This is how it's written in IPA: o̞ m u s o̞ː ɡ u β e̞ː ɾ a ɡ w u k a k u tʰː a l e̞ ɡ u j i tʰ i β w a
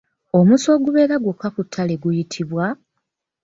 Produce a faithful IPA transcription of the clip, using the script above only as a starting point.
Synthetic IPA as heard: o̞ m u s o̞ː ɡ u β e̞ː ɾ a ɡ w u k a k u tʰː a l e̞ ɡ u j i tʰ i β w a